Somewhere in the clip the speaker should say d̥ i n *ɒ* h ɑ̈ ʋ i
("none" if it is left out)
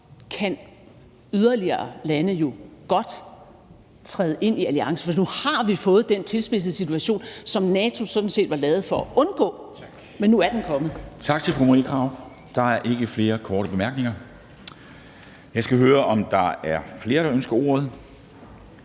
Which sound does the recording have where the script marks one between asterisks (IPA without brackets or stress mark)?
u